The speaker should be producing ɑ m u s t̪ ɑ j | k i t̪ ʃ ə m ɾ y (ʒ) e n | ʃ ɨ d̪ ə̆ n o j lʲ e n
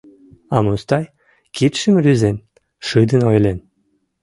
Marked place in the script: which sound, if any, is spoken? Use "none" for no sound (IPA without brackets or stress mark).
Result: z